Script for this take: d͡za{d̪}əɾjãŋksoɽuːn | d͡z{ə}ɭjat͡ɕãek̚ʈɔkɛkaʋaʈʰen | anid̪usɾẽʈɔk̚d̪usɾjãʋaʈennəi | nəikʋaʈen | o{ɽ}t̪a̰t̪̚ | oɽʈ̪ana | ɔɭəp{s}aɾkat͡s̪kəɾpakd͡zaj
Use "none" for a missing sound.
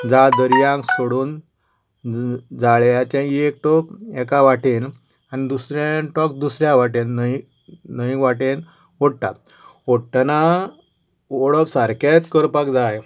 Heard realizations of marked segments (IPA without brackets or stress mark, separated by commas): d̪, a, ɽ, s